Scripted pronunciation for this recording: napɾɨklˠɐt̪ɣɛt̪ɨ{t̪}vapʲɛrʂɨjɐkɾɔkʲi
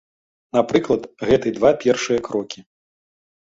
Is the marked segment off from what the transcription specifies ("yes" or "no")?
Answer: yes